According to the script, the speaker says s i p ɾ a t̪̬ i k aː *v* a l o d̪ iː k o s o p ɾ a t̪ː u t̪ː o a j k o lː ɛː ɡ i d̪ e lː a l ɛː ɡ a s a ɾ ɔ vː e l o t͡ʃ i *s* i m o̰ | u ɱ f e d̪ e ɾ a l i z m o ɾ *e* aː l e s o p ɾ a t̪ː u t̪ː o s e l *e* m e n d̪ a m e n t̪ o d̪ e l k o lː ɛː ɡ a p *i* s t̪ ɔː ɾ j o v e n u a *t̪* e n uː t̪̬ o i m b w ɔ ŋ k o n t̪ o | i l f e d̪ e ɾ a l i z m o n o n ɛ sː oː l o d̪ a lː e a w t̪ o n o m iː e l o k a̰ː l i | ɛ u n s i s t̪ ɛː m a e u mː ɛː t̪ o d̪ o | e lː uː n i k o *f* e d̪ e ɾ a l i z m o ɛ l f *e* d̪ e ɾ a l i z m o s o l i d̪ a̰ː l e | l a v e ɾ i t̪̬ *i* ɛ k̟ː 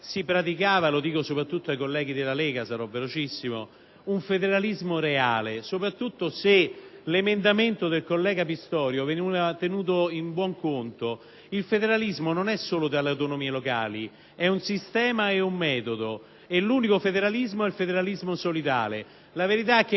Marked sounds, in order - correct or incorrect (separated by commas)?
correct, incorrect, correct, correct, correct, correct, correct, correct, incorrect